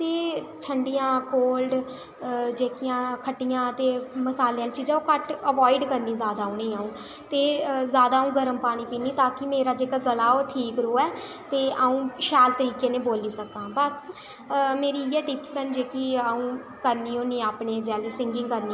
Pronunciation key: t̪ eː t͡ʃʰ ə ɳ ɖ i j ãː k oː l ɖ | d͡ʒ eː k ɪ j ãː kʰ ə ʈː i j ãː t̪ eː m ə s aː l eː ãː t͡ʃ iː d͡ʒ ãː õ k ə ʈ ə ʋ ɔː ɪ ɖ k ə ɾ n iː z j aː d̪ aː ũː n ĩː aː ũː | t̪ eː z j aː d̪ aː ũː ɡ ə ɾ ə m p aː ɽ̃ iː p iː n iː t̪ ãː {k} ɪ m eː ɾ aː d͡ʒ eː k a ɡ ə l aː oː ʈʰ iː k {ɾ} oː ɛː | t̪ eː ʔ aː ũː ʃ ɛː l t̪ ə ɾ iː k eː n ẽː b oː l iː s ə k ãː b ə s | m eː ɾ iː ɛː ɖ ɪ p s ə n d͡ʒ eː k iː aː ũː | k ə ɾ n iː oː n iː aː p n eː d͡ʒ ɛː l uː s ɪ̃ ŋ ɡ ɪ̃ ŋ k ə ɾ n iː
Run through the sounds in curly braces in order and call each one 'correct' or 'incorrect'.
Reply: correct, correct

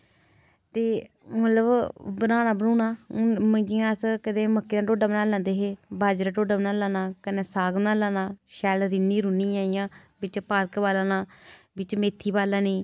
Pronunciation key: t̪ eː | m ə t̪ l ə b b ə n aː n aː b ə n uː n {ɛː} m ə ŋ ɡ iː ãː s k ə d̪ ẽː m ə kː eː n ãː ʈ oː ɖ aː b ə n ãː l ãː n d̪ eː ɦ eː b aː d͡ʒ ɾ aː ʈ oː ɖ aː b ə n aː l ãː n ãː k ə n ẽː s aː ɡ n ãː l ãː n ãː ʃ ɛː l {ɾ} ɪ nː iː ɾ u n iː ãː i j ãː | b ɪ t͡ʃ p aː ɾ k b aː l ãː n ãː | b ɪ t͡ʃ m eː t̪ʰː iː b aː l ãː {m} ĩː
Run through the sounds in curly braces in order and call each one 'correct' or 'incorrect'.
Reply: incorrect: aː, correct, incorrect: n

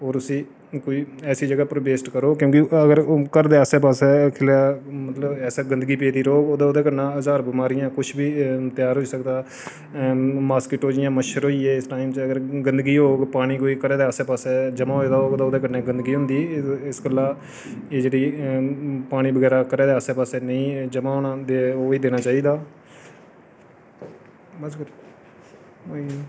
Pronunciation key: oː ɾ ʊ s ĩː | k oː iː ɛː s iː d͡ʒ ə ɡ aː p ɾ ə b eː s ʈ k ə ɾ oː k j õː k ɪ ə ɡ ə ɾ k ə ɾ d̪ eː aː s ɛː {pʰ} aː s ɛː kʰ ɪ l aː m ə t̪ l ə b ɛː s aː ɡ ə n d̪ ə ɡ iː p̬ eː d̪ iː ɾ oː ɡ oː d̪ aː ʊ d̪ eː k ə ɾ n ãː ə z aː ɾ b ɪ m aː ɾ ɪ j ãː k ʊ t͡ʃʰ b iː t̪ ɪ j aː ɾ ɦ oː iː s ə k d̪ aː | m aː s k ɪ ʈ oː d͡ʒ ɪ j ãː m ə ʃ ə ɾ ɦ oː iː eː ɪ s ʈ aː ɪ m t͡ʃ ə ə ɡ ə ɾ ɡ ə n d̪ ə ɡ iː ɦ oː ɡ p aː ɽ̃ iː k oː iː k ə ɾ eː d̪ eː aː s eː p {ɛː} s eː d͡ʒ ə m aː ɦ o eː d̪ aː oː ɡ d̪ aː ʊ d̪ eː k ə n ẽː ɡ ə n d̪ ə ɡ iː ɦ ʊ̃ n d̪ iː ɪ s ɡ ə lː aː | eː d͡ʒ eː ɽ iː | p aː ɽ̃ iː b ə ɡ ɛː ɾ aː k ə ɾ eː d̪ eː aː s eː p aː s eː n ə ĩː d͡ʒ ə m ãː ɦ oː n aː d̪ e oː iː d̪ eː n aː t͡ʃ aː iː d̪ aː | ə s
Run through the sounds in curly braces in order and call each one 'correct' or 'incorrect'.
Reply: incorrect: p, incorrect: aː

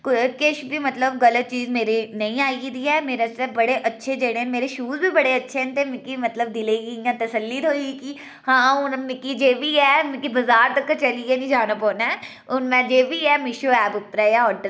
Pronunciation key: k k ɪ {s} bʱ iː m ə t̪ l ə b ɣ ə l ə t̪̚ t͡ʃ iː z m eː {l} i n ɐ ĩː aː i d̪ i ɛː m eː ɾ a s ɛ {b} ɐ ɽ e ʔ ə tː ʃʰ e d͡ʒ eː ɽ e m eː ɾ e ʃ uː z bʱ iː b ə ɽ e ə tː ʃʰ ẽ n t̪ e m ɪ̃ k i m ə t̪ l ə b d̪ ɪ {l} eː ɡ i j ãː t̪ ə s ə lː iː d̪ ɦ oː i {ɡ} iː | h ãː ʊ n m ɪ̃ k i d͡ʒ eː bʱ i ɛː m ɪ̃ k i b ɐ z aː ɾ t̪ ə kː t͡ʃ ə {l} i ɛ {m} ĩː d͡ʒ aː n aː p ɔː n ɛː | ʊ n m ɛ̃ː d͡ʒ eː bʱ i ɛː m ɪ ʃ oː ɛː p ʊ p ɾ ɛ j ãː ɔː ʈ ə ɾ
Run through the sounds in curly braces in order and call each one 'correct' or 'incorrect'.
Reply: incorrect: ʃ, incorrect: ɾ, correct, correct, incorrect: k, correct, incorrect: n

